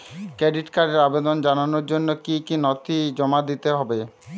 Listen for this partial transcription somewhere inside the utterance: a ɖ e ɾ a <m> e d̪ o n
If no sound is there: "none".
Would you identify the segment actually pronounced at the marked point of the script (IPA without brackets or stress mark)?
b